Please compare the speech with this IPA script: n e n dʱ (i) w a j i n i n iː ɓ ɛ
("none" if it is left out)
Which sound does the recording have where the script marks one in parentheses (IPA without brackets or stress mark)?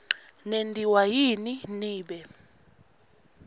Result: i